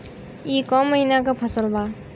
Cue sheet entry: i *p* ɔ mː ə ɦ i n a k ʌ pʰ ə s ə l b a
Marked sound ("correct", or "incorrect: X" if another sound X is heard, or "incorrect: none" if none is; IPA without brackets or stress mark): incorrect: k